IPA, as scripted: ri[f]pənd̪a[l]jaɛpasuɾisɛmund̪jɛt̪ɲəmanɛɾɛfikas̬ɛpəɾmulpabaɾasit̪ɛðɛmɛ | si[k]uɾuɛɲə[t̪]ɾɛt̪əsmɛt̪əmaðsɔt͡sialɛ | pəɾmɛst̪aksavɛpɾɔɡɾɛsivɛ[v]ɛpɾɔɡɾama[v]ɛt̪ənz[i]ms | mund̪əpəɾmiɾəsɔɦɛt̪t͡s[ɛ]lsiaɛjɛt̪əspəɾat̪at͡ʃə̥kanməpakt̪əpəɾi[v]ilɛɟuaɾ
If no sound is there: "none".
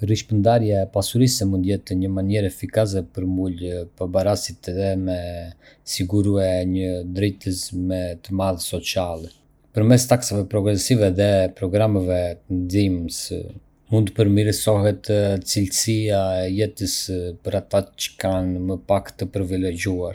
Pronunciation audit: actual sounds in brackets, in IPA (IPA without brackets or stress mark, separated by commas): ʃ, ɾ, ɡ, d̪, ð, v, i, i, v